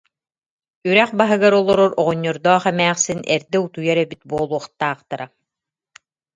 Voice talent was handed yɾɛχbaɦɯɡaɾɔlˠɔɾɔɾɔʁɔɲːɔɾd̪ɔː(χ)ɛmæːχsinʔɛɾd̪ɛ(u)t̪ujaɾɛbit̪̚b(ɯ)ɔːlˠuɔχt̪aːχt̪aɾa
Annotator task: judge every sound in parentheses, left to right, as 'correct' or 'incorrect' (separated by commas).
correct, correct, incorrect